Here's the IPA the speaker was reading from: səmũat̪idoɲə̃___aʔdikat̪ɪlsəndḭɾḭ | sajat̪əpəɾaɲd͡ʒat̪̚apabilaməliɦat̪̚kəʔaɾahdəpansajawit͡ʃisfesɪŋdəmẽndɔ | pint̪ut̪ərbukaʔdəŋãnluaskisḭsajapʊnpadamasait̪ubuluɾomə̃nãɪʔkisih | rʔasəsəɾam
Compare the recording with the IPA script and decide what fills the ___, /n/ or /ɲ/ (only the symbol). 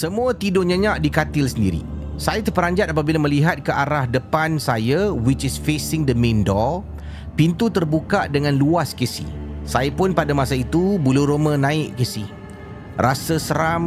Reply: ɲ